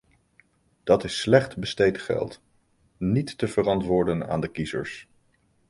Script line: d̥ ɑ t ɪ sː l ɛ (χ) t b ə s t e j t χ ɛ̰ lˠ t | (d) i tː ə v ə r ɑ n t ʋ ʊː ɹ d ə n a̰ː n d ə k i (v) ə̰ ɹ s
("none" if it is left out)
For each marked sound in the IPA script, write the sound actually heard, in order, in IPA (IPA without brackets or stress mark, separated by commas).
χ, n, z